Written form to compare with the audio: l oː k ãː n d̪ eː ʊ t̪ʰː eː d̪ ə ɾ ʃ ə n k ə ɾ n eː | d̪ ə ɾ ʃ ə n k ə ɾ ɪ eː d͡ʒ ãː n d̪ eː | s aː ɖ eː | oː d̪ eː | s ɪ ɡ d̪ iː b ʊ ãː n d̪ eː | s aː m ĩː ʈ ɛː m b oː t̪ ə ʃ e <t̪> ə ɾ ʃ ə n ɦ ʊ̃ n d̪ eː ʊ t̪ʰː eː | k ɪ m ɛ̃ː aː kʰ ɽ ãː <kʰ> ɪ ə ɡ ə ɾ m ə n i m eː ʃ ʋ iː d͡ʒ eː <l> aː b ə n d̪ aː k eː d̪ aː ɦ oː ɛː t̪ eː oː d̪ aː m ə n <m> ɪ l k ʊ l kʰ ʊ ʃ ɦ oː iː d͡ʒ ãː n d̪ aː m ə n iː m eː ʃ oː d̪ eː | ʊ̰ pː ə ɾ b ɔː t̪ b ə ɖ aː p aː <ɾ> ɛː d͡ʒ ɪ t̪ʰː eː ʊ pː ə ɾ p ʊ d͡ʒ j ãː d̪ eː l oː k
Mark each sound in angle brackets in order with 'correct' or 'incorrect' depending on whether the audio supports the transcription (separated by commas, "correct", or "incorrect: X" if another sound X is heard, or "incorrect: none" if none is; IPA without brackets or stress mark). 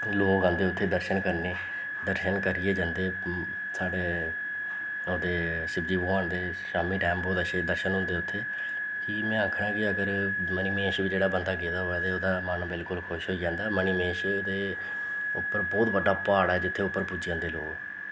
incorrect: d̪, incorrect: k, incorrect: ɽ, incorrect: b, incorrect: ɽ